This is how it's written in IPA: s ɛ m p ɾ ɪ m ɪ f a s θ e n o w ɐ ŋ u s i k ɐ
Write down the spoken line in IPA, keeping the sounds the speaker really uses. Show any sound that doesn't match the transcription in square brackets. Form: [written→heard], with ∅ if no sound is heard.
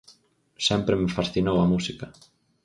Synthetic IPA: s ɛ m p ɾ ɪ m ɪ f a s θ [e→i] n o w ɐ [ŋ→m] u s i k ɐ